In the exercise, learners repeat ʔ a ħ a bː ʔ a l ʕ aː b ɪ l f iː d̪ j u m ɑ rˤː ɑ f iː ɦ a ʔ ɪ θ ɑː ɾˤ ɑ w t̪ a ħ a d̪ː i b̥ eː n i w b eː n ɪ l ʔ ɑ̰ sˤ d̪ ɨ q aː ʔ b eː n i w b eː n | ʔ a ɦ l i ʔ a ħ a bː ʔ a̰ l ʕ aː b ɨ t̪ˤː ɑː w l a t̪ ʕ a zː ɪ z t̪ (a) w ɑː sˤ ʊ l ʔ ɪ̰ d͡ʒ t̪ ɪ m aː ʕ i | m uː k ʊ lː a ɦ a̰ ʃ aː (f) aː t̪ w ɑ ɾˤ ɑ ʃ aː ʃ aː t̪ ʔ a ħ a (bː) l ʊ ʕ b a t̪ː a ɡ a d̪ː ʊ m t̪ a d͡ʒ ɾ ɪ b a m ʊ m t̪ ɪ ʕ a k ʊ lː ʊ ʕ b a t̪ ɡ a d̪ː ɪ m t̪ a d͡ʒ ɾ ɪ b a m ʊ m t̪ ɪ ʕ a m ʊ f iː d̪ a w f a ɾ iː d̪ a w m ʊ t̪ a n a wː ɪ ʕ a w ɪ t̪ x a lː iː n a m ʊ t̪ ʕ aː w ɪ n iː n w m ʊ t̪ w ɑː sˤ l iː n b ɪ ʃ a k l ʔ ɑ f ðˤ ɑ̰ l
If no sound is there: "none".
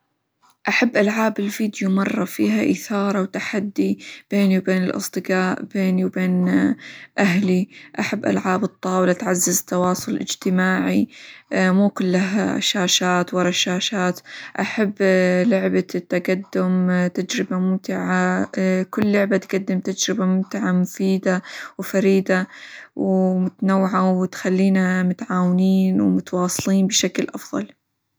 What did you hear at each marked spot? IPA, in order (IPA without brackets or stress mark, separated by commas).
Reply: ɑ, ʃ, bː